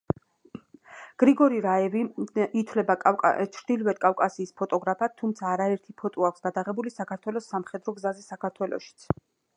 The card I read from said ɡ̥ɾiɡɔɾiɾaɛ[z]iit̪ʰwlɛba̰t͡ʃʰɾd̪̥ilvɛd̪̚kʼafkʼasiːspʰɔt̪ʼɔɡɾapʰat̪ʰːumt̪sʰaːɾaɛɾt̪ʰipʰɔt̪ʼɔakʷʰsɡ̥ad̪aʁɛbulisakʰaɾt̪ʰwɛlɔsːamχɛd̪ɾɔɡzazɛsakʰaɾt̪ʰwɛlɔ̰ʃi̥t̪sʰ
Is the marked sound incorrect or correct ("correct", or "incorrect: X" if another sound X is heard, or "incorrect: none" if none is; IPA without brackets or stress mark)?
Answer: incorrect: v